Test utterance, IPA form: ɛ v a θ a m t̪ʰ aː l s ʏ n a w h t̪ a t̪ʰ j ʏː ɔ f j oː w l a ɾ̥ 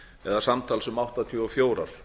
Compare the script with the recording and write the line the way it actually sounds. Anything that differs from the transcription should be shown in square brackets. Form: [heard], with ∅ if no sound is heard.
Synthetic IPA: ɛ [ð] a [s] a m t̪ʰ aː l s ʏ [m] a w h t̪ a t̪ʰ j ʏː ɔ f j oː w [ɾ] a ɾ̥